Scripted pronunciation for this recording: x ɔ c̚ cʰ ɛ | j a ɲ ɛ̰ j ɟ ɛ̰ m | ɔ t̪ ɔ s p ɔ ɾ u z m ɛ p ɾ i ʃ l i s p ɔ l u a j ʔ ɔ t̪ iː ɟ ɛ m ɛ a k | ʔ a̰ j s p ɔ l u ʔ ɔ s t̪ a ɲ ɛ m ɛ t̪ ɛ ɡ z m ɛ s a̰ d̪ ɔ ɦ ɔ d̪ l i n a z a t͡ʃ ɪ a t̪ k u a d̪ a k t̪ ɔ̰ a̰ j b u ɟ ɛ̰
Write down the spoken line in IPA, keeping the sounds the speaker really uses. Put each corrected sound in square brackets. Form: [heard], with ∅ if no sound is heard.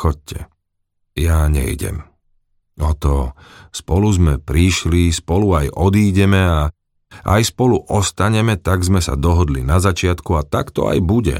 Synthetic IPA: x ɔ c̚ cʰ ɛ | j a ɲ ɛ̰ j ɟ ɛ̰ m | ɔ t̪ ɔ s p ɔ [l] u z m ɛ p ɾ i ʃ l i s p ɔ l u a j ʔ ɔ [d̪] iː ɟ ɛ m ɛ a [∅] | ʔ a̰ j s p ɔ l u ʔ ɔ s t̪ a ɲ ɛ m ɛ t̪ [a] ɡ z m ɛ s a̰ d̪ ɔ ɦ ɔ d̪ l i n a z a t͡ʃ ɪ a t̪ k u a [t̪] a k t̪ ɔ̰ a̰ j b u ɟ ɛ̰